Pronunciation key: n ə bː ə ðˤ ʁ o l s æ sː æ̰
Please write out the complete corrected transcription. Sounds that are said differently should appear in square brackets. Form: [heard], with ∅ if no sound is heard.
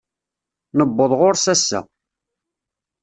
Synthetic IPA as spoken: n ə bː ə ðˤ ʁ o [ɾ] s æ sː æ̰